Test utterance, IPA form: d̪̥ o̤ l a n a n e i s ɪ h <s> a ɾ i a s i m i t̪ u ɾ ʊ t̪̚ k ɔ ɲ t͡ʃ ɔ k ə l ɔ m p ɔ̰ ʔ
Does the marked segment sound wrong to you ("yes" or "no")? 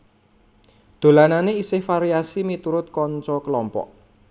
yes